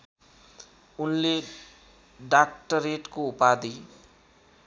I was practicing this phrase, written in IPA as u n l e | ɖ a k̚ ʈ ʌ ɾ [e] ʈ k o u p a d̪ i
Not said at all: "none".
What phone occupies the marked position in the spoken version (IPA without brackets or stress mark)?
e